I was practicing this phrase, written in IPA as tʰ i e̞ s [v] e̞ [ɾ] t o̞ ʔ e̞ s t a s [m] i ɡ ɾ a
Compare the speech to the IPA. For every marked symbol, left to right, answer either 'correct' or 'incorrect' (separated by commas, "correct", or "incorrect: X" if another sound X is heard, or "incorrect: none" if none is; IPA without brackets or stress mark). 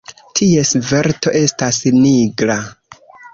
correct, correct, incorrect: n